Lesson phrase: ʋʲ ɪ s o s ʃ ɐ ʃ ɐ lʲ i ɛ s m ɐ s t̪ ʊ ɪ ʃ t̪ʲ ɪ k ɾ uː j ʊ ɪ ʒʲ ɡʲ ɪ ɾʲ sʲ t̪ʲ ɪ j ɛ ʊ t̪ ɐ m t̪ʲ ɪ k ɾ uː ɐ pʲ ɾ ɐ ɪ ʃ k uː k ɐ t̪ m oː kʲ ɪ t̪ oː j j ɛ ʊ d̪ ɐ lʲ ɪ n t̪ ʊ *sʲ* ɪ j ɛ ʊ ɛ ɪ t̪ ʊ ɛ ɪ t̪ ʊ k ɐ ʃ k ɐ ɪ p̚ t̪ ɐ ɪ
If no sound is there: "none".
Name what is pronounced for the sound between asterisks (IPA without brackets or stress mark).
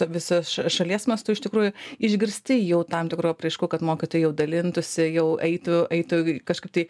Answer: sʲ